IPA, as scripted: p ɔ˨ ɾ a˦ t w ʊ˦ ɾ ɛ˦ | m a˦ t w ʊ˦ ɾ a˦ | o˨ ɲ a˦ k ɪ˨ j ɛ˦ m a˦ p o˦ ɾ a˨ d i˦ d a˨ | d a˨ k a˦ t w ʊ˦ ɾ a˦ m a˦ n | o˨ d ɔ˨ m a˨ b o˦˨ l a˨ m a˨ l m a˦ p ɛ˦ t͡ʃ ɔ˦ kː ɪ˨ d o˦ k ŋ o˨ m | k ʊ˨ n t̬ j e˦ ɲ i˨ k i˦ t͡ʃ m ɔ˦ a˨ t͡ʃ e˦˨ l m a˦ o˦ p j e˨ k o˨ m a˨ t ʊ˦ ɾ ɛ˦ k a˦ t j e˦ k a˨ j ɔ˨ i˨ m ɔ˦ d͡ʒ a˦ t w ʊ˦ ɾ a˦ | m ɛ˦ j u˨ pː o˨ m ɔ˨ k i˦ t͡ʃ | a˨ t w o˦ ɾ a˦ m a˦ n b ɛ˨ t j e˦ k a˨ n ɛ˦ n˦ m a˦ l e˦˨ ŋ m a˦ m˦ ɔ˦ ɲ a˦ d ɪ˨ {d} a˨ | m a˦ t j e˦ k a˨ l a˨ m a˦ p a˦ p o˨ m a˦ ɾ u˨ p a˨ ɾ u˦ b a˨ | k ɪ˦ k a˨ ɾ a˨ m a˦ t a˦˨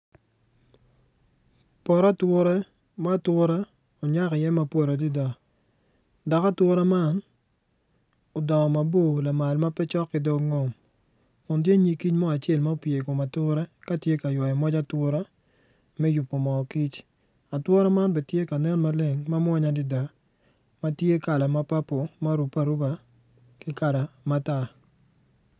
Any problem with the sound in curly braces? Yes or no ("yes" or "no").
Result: no